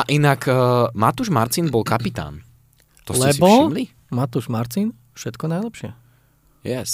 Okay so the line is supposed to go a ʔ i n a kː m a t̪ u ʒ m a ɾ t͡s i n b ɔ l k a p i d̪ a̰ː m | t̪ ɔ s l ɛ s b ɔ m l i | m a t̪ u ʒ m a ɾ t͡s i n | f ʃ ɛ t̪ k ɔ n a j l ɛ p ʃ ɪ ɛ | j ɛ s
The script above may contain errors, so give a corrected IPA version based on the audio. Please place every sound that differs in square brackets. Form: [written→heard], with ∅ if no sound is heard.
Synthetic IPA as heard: a ʔ i n a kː m a t̪ u ʒ m a ɾ t͡s i n b ɔ l k a p i [d̪→t̪] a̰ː [m→n] | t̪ ɔ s l ɛ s b ɔ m l i | m a t̪ u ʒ m a ɾ t͡s i n | f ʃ ɛ t̪ k ɔ n a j l ɛ p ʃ ɪ ɛ | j ɛ s